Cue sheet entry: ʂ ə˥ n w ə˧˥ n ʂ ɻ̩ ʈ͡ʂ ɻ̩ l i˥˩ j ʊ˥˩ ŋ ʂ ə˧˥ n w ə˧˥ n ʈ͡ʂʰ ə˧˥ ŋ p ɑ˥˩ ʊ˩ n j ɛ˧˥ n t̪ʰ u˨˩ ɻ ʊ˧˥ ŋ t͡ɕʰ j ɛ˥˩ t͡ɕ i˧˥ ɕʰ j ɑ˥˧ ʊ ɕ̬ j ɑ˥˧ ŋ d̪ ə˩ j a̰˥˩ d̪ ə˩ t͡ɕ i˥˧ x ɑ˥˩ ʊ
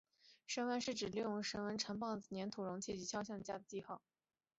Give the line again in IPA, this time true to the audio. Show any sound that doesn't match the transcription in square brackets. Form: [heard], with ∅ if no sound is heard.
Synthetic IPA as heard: ʂ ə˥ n w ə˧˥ n ʂ ɻ̩ ʈ͡ʂ ɻ̩ l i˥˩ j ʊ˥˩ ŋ ʂ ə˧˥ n w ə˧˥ n ʈ͡ʂʰ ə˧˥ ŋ p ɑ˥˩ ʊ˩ n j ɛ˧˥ n t̪ʰ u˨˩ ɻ ʊ˧˥ ŋ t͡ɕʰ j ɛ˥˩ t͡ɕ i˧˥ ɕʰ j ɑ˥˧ ʊ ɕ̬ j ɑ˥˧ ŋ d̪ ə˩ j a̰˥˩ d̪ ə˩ t͡ɕ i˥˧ x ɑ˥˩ ʊ